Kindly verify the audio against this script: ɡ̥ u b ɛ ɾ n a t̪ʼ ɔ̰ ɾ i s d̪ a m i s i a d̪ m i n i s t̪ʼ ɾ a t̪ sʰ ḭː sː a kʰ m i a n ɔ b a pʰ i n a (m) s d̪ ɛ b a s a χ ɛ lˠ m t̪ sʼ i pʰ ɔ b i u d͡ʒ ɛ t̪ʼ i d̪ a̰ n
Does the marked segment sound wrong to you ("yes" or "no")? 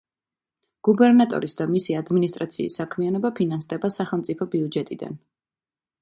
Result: yes